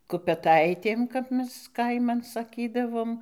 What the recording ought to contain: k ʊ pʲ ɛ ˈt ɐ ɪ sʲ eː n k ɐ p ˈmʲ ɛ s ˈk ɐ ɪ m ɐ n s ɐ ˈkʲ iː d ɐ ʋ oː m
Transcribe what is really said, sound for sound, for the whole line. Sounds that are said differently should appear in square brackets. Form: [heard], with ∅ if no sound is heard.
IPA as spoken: k ʊ pʲ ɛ ˈt ɐ ɪ [tʲ] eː [m] k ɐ p ˈmʲ ɛ s ˈk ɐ ɪ m ɐ n s ɐ ˈkʲ iː d ɐ ʋ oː m

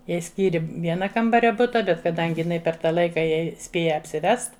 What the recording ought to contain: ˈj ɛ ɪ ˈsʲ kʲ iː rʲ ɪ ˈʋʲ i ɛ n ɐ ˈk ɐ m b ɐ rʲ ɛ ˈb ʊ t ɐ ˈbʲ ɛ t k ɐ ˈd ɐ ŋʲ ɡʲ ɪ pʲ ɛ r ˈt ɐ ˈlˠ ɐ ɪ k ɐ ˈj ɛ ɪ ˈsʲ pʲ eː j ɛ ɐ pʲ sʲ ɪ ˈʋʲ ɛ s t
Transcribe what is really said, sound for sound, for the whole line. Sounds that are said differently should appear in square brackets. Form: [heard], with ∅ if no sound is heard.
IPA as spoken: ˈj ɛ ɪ ˈsʲ kʲ iː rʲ ɪ ˈʋʲ i ɛ n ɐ ˈk ɐ m b ɐ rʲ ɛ ˈb ʊ t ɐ ˈbʲ ɛ t k ɐ ˈd ɐ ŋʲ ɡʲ ɪ pʲ ɛ r ˈt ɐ ˈlˠ ɐ ɪ k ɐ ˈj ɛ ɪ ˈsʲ pʲ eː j ɛ ɐ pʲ sʲ ɪ ˈʋʲ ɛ s t

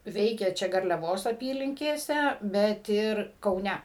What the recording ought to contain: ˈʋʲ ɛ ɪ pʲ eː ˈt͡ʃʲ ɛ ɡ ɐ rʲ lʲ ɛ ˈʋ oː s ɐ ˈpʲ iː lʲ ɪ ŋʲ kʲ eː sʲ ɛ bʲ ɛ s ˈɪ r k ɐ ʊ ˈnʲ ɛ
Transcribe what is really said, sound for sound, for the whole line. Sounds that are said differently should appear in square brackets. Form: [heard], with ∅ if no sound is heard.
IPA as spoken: ˈʋʲ ɛ ɪ [kʲ] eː ˈt͡ʃʲ ɛ ɡ ɐ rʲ lʲ ɛ ˈʋ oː s ɐ ˈpʲ iː lʲ ɪ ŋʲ kʲ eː sʲ ɛ bʲ ɛ [t] ˈɪ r k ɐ ʊ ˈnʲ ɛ

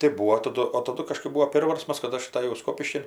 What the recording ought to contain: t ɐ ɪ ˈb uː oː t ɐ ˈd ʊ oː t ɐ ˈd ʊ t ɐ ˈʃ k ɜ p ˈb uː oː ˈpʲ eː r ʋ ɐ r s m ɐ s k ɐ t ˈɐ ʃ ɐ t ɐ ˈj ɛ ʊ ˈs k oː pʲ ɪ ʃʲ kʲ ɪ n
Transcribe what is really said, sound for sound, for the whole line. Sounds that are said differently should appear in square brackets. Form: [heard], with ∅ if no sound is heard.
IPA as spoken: t ɐ ɪ ˈb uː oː t ɐ ˈd ʊ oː t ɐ ˈd ʊ [k] ɐ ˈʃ k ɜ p ˈb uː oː ˈpʲ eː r ʋ ɐ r s m ɐ s k ɐ t ˈɐ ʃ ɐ t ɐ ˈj ɛ ʊ ˈs k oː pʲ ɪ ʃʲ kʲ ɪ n

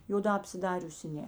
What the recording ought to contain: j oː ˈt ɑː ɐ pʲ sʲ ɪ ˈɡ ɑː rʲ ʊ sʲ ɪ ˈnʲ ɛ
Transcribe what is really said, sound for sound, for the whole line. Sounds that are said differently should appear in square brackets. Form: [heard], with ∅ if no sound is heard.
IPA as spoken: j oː [ˈd] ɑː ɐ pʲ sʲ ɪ [ˈd] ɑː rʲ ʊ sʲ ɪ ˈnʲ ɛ

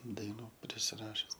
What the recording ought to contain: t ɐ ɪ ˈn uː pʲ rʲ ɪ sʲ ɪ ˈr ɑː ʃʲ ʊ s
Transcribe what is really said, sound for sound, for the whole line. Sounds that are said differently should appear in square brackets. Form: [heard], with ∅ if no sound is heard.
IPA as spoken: [d] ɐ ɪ ˈn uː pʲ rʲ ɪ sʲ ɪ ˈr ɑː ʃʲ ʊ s

